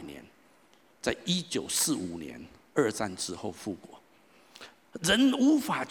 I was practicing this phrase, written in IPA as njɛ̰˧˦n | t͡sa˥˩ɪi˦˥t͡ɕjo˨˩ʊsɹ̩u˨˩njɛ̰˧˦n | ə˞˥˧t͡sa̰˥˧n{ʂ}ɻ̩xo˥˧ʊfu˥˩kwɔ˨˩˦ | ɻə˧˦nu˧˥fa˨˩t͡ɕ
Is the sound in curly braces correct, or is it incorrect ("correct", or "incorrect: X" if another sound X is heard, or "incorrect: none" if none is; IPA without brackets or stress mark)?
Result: incorrect: ʈ͡ʂ